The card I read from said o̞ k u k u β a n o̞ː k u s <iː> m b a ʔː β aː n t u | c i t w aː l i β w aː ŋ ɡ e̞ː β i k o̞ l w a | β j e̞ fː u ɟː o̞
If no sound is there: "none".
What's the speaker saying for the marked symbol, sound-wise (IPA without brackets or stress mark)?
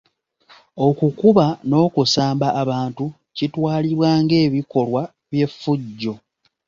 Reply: aː